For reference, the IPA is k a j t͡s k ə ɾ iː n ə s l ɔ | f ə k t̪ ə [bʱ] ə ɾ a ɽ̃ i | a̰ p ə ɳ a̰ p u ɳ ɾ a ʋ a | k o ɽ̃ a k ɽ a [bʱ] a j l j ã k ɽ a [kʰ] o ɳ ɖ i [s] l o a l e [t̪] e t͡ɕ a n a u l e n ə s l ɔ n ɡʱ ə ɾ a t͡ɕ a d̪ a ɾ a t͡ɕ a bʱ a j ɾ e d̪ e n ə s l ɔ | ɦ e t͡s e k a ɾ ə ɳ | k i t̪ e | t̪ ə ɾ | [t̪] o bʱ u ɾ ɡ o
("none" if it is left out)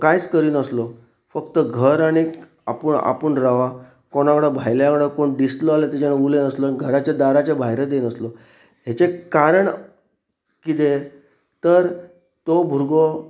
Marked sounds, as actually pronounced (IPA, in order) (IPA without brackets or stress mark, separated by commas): ɡʱ, bʱ, k, s, t̪, t̪